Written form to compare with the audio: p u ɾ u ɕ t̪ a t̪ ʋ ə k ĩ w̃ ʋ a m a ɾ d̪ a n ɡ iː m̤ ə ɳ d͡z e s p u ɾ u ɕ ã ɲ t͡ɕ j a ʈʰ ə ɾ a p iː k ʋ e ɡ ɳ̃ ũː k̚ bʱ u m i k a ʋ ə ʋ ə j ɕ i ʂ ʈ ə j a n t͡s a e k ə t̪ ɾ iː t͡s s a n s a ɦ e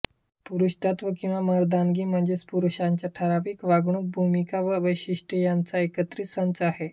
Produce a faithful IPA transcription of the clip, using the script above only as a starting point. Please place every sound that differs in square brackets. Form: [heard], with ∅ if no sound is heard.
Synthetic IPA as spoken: p u ɾ u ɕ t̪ a t̪ ʋ ə k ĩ w̃ ʋ a m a ɾ d̪ a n ɡ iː m̤ ə ɳ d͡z e s p u ɾ u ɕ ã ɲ t͡ɕ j a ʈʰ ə ɾ a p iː k ʋ [a] ɡ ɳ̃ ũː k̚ bʱ u m i k a ʋ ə ʋ ə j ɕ i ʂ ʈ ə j a n t͡s a e k ə t̪ ɾ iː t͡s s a n [t͡s] a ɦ e